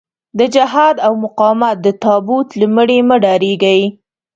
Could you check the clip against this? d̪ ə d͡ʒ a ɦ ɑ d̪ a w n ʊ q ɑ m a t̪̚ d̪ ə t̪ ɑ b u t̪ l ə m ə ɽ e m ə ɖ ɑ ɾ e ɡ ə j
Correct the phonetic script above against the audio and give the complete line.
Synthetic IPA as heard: d̪ ə d͡ʒ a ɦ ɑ d̪ a w m ʊ q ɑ m a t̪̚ d̪ ə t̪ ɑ b u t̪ l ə m ə ɽ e m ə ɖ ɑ ɾ e ɡ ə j

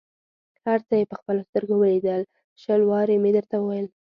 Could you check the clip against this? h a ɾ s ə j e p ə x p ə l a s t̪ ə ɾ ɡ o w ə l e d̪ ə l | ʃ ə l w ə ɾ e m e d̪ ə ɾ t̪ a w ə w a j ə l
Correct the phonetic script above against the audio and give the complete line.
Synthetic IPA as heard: h a ɾ t͡s ə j e p ə x p ə l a s t̪ ə ɾ ɡ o w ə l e d̪ ə l | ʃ ə l w ɑ ɾ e m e d̪ ə ɾ t̪ a w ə w a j ə l

